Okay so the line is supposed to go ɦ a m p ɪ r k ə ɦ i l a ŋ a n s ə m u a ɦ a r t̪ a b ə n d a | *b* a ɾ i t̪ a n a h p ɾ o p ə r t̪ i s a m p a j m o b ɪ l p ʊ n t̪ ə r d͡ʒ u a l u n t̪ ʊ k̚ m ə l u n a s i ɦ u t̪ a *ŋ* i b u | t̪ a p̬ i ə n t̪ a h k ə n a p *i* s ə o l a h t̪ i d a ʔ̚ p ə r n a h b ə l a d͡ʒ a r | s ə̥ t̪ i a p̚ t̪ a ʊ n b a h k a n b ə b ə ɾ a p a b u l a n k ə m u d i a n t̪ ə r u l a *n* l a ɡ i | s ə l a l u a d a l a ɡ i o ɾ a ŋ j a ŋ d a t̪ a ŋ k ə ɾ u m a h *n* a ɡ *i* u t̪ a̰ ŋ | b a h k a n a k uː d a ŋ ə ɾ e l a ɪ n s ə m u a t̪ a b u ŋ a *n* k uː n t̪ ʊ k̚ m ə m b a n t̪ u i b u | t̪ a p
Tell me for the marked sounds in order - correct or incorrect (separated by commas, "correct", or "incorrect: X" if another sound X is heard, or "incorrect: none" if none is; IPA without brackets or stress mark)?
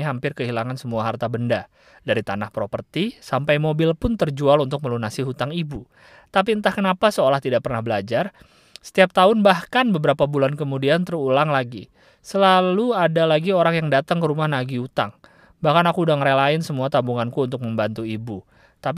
incorrect: d, correct, incorrect: a, incorrect: ŋ, correct, correct, correct